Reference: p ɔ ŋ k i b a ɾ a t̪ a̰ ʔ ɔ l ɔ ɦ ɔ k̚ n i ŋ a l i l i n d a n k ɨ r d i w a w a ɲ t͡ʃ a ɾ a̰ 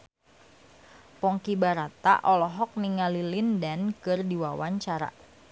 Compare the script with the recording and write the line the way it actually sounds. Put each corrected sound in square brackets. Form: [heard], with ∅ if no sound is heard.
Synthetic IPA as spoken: p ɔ ŋ k i b a ɾ a t̪ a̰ ʔ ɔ l ɔ ɦ ɔ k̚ n i ŋ a l i l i n d a n k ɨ r d i w a w a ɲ t͡ʃ a ɾ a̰